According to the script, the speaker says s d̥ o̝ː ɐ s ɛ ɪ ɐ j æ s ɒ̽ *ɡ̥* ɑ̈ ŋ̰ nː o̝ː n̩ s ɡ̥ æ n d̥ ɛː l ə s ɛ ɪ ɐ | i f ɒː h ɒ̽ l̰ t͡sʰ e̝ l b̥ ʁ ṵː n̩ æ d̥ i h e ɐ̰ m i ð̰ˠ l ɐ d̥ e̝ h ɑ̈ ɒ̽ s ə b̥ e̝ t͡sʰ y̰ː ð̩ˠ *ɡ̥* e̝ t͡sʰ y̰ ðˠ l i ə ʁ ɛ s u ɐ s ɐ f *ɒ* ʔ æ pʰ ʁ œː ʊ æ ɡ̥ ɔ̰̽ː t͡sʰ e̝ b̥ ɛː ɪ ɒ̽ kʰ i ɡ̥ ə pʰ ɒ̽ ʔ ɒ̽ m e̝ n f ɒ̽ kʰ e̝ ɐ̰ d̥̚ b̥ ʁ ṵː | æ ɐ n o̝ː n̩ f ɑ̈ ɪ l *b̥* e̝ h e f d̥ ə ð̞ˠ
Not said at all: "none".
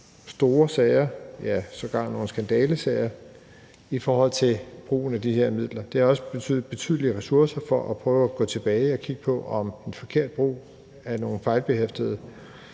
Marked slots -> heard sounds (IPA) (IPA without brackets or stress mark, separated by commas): ɡ̥, b̥, ɒ, b̥